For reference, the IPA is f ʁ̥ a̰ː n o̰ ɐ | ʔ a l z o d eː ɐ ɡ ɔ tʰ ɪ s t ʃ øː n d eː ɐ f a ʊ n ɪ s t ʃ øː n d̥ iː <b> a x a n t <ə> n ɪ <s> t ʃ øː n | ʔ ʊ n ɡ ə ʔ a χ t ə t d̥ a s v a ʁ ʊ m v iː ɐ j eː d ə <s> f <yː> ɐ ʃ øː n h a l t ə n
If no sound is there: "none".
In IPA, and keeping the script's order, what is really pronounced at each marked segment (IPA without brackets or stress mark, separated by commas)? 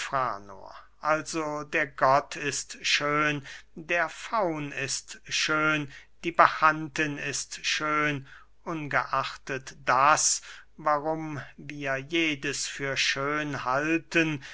b, ə, s, s, yː